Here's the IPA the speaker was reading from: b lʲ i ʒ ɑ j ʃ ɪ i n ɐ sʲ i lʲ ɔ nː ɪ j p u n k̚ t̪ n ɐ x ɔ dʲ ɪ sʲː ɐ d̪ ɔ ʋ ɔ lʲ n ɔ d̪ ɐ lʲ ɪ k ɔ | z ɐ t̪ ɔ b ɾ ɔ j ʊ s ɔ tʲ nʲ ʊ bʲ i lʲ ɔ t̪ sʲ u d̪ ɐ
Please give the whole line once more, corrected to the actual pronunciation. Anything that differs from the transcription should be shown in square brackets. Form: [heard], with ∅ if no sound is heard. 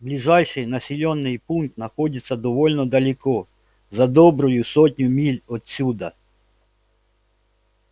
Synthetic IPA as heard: b lʲ i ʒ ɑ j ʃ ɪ [j] n ɐ sʲ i lʲ ɔ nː ɪ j p u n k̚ t̪ n ɐ x ɔ dʲ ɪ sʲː ɐ d̪ ɔ ʋ ɔ lʲ n ɔ d̪ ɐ lʲ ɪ k ɔ | z ɐ [d̪] ɔ b ɾ ɔ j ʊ s ɔ tʲ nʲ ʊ [mʲ] i lʲ ɔ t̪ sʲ u d̪ ɐ